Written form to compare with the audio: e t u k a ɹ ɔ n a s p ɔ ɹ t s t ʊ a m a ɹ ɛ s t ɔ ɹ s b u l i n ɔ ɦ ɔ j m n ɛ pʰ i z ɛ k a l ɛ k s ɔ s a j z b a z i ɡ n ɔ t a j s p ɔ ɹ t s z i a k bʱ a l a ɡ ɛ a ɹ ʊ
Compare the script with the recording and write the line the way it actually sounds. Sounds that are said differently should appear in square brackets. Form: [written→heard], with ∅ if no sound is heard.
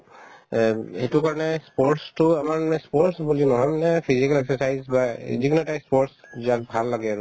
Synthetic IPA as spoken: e t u k a ɹ ɔ n [a→ɛ] s p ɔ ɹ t s t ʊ a m a ɹ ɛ s [t→p] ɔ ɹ s b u l i n ɔ ɦ ɔ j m n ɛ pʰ i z [ɛ→i] k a l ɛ k s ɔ s a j z b a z i ɡ n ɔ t a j s p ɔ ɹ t s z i a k bʱ a [l→lː] a ɡ ɛ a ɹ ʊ